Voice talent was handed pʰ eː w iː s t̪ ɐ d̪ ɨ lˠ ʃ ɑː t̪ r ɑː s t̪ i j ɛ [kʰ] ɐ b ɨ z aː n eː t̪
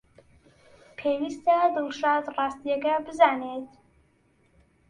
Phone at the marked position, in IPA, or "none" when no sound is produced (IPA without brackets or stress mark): k